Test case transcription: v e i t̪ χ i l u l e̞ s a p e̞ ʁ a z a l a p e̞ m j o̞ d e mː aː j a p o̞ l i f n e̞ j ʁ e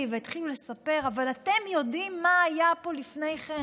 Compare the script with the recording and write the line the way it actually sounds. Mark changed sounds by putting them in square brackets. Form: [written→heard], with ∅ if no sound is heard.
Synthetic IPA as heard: v e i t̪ χ i l u l e̞ s a p e̞ ʁ a [z→v] a l a [p→t] e̞ m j o̞ d [e→i] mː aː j a p o̞ l i f n e̞ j [ʁ→χ] e